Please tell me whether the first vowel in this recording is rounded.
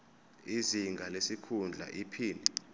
no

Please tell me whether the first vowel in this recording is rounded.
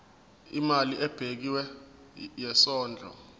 no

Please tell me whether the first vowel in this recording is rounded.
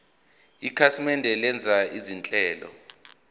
no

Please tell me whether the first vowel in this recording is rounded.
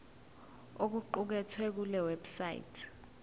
yes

